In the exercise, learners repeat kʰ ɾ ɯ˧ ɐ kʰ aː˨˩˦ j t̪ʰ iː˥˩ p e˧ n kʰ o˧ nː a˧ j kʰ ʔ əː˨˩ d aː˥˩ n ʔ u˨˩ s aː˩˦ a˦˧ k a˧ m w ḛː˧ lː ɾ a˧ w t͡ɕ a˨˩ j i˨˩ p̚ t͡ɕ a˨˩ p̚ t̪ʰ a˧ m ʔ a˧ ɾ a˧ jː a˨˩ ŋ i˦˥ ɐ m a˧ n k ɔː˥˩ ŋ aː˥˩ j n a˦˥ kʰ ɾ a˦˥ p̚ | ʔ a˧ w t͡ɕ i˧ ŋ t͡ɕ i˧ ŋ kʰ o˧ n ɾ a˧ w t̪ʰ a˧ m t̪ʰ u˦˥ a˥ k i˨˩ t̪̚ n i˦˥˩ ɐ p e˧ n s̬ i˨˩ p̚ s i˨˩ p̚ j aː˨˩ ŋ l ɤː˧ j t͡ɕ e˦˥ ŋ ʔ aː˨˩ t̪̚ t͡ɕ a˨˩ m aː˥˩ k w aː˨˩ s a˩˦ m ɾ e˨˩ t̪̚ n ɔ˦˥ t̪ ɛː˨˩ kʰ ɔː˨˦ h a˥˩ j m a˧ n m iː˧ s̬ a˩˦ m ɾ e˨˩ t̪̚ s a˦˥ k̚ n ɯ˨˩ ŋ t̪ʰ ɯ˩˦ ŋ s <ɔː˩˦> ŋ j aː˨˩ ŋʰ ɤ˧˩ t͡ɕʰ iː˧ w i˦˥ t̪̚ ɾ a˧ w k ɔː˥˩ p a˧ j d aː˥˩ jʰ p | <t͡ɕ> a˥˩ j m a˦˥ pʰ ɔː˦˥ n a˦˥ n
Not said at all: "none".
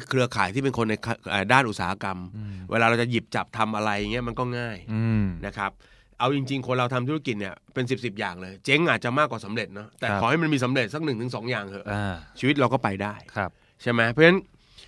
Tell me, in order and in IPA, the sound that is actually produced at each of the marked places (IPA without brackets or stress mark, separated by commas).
ɔː˩˦, t͡ɕʰ